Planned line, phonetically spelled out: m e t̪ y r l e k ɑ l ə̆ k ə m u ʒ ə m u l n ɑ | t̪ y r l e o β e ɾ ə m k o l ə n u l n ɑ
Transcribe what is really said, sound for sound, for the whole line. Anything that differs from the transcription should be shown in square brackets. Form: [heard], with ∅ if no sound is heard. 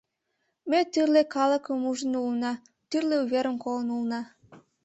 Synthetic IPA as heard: m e t̪ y r l e k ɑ l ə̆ k ə m u ʒ ə [n] u l n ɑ | t̪ y r l e [u] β e ɾ ə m k o l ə n u l n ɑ

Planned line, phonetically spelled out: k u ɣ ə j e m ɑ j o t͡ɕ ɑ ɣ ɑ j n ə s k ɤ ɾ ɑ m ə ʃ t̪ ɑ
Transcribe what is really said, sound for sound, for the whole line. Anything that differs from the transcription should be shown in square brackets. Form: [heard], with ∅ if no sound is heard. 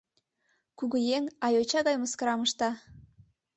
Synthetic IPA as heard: k u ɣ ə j e [ŋ] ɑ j o t͡ɕ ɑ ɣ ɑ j [m] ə s k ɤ ɾ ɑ m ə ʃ t̪ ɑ

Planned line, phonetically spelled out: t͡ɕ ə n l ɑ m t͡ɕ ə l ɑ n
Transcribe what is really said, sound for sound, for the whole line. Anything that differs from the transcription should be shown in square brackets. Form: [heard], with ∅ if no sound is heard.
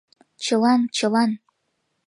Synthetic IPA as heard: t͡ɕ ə [∅] l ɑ [n] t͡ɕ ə l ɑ n

